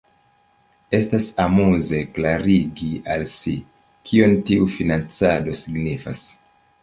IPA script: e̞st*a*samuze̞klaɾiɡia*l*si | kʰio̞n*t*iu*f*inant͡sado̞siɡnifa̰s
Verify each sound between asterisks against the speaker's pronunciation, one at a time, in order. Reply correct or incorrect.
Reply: correct, correct, correct, correct

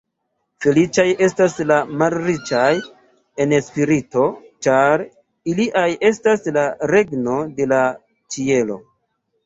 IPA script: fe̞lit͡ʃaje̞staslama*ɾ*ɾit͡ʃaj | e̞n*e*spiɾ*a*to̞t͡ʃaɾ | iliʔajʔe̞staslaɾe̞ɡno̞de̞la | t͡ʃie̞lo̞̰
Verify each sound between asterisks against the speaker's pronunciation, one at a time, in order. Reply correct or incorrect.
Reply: incorrect: l, correct, incorrect: i

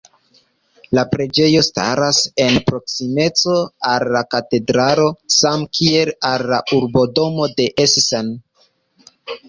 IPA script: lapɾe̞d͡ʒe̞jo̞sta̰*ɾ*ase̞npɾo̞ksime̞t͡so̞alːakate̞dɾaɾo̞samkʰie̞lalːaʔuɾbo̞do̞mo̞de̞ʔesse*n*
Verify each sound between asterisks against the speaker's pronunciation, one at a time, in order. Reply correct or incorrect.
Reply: correct, correct

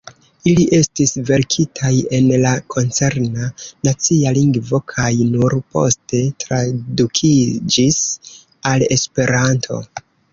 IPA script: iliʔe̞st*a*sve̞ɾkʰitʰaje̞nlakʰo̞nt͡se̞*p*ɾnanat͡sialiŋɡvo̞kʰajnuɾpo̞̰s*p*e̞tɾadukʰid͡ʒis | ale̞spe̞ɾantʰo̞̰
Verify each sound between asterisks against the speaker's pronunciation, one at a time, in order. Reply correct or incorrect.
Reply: incorrect: i, incorrect: none, incorrect: t

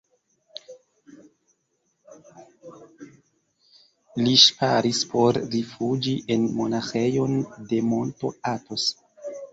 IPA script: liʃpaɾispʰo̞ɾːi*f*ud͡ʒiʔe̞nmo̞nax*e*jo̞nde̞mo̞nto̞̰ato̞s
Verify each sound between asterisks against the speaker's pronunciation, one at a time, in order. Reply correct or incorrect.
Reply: correct, correct

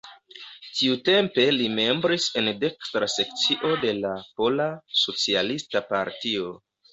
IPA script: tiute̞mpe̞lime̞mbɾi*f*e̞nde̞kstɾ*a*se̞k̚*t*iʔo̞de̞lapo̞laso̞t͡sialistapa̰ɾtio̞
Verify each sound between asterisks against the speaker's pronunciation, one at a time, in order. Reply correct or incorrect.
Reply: incorrect: s, correct, incorrect: t͡s

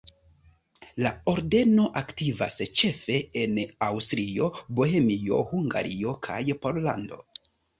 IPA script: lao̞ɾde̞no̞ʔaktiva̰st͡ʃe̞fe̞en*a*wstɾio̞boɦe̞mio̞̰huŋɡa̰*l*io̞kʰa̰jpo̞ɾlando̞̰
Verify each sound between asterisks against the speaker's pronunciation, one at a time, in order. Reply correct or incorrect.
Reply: correct, incorrect: ɾ

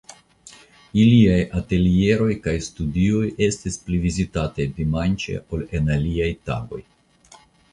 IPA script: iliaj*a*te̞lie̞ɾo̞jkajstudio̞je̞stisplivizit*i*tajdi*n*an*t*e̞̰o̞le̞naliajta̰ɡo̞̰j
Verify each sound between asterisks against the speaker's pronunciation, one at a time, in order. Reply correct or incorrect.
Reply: correct, incorrect: a, incorrect: m, incorrect: t͡ʃ

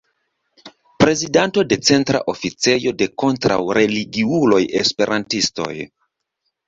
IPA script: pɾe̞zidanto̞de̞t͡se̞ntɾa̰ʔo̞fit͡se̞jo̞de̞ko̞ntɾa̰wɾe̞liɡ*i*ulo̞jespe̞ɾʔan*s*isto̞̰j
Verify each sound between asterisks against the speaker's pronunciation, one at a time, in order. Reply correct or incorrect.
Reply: correct, incorrect: t

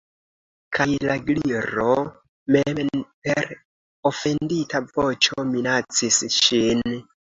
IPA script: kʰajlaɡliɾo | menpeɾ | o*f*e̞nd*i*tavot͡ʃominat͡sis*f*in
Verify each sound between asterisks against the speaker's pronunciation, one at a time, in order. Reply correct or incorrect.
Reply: correct, correct, incorrect: ʃ

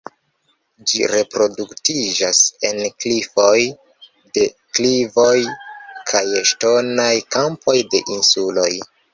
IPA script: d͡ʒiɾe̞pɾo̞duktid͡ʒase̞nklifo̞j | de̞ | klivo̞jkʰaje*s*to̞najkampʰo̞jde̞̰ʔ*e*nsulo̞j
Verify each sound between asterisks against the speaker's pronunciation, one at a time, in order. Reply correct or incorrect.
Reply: incorrect: ʃ, incorrect: i

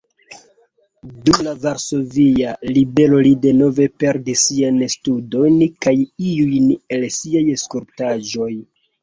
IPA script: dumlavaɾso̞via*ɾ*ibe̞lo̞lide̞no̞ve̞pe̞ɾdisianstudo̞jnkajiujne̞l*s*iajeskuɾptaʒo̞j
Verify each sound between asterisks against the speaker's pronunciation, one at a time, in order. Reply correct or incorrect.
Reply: incorrect: l, correct

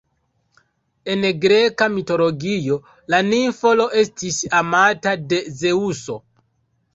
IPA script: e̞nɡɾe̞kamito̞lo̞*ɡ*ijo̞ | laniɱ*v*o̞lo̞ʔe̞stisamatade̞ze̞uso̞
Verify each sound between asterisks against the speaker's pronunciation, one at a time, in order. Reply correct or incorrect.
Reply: correct, incorrect: f

